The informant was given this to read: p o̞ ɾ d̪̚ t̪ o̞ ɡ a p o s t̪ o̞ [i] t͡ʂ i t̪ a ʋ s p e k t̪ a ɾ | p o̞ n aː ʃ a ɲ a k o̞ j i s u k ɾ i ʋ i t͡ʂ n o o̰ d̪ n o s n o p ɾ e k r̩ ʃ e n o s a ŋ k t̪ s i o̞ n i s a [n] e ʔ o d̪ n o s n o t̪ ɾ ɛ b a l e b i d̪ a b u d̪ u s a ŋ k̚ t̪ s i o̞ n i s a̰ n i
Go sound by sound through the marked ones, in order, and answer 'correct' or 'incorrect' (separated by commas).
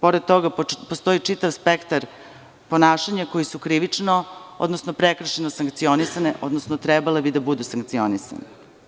correct, correct